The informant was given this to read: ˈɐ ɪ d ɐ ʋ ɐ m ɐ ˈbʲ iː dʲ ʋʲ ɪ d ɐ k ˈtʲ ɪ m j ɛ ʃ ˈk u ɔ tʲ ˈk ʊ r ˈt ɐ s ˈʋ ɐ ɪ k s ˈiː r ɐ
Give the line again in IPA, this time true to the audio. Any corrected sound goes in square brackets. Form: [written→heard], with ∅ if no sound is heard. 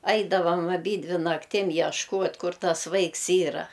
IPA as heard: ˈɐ ɪ d ɐ ʋ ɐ m ɐ ˈbʲ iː dʲ ʋʲ ɪ [d→n] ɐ k ˈtʲ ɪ m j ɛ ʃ ˈk u ɔ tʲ ˈk ʊ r ˈt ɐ s ˈʋ ɐ ɪ k s ˈiː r ɐ

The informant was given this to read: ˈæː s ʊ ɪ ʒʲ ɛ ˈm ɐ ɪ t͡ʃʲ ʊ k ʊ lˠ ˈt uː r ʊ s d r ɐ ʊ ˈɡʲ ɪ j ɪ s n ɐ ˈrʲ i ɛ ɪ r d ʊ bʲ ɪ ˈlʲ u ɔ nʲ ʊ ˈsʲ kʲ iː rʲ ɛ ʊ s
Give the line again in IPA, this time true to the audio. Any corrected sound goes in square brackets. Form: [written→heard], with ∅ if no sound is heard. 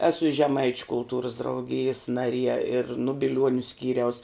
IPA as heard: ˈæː s ʊ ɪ ʒʲ ɛ ˈm ɐ ɪ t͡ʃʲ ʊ k ʊ lˠ ˈt uː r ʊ s d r ɐ ʊ ˈɡʲ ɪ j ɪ s n ɐ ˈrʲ i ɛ ɪ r [d→n] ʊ bʲ ɪ ˈlʲ u ɔ nʲ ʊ ˈsʲ kʲ iː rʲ ɛ ʊ s

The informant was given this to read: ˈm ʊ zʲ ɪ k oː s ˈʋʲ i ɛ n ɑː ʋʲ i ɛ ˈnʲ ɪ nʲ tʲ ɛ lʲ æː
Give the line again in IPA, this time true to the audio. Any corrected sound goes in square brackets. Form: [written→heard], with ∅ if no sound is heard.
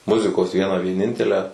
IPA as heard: ˈm ʊ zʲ ɪ k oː s ˈʋʲ i ɛ n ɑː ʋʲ i ɛ ˈnʲ ɪ nʲ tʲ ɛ lʲ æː

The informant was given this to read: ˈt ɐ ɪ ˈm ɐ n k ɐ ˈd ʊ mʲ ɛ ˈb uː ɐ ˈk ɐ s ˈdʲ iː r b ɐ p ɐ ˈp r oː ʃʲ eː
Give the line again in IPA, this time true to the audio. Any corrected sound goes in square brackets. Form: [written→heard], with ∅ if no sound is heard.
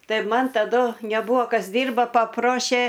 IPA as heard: ˈt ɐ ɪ ˈm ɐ n [k→t] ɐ ˈd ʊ [mʲ→nʲ] ɛ ˈb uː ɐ ˈk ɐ s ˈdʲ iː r b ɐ p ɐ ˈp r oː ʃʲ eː

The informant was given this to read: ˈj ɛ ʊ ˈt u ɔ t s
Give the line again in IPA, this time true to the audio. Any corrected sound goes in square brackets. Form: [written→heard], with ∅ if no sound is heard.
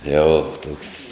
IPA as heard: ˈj ɛ ʊ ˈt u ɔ [t→k] s

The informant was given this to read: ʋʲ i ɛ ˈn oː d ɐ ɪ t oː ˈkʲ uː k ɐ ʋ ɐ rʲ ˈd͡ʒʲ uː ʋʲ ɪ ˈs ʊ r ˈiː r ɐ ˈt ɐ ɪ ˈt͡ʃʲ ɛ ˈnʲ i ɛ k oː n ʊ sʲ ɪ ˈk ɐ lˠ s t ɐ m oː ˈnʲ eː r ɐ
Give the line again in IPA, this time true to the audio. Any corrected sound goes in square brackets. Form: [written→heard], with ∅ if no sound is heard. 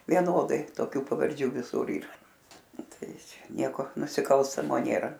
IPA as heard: ʋʲ i ɛ ˈn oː d ɐ ɪ t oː ˈkʲ uː [k→p] ɐ ʋ ɐ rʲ ˈd͡ʒʲ uː ʋʲ ɪ ˈs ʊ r ˈiː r ɐ ˈt ɐ ɪ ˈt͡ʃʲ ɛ ˈnʲ i ɛ k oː n ʊ sʲ ɪ ˈk ɐ lˠ s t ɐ m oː ˈnʲ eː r ɐ

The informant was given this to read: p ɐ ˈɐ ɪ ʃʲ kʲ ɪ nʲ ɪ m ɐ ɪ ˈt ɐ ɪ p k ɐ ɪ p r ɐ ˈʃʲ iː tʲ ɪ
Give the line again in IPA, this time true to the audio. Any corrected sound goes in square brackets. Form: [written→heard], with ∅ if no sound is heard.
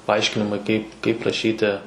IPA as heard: p ɐ ˈɐ ɪ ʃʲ kʲ ɪ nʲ ɪ m ɐ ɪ [ˈt→ˈk] ɐ ɪ p k ɐ ɪ p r ɐ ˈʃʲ iː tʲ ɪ

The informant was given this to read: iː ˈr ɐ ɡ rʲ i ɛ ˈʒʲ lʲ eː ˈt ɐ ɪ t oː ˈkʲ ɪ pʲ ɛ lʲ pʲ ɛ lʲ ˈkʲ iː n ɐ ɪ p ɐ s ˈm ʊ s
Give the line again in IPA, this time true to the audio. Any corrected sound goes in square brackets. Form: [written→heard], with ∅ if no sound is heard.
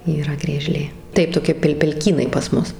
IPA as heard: iː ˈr ɐ ɡ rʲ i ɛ ˈʒʲ lʲ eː ˈt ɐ ɪ t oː ˈkʲ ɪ pʲ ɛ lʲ pʲ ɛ lʲ ˈkʲ iː n ɐ ɪ p ɐ s ˈm ʊ s

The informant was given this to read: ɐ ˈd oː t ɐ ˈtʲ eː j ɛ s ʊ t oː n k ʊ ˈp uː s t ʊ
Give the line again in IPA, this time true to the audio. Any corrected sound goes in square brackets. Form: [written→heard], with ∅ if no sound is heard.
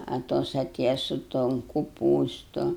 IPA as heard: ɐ [ˈd→ˈt] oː [t→s] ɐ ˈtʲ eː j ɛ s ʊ t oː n k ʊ ˈp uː s t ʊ

